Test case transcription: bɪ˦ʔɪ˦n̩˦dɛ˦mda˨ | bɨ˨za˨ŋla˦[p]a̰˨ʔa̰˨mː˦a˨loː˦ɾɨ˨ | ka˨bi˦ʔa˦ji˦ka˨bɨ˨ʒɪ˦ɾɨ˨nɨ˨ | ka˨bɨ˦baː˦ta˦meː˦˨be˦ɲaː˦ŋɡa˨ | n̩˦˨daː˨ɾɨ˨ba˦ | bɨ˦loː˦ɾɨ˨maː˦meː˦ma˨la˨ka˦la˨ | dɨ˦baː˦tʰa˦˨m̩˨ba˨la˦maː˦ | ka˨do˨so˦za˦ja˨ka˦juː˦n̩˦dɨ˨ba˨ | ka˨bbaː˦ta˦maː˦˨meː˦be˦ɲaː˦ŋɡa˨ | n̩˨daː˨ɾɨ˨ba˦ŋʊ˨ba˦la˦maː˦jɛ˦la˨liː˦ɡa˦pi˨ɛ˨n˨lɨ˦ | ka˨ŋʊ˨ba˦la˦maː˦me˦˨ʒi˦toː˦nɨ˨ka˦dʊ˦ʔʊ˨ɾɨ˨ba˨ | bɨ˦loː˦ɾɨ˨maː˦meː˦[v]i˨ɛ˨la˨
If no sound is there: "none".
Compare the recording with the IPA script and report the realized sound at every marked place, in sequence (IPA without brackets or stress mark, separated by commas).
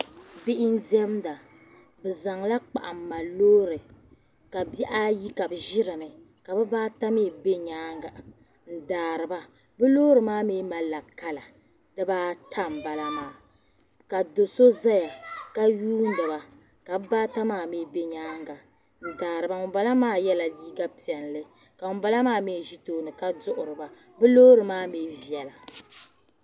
k͡p, v